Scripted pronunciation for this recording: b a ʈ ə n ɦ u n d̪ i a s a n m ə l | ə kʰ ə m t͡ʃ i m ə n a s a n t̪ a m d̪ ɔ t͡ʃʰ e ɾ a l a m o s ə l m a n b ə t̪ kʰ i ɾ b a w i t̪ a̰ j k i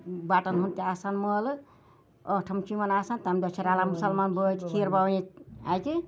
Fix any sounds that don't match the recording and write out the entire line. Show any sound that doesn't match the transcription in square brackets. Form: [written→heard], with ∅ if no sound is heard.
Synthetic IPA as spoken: b a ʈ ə n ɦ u n [d̪→t̪] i a s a n m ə l | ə [kʰ→ʈʰ] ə m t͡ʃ i m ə n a s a n t̪ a m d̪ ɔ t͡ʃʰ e ɾ a l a m [o→u] s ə l m a n b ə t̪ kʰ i ɾ b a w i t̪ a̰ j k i